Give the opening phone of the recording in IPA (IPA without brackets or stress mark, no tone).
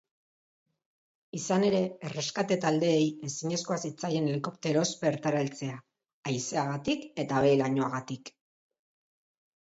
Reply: i